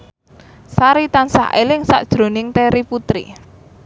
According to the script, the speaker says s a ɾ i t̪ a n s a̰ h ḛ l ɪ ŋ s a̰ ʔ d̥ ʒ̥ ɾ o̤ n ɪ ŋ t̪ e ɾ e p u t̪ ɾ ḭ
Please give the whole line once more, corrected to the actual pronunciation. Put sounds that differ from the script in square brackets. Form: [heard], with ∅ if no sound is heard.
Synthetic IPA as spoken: s a ɾ i t̪ a n s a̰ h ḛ l ɪ ŋ s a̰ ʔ d̥ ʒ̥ ɾ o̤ n ɪ ŋ t̪ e ɾ [i] p u t̪ ɾ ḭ